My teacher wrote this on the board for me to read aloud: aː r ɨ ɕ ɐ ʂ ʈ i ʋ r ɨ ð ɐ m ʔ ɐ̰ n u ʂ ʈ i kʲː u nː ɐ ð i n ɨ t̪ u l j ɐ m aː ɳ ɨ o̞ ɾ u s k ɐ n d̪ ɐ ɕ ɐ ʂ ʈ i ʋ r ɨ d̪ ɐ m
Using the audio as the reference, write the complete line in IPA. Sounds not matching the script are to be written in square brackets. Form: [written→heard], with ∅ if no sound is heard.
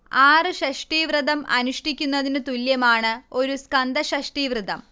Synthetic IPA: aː r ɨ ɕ ɐ ʂ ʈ i ʋ r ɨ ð ɐ m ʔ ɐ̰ n u ʂ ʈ i kʲː u nː ɐ ð i n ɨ t̪ u l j ɐ m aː ɳ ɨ o̞ ɾ u s k ɐ n d̪ ɐ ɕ ɐ ʂ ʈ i ʋ r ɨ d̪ ɐ m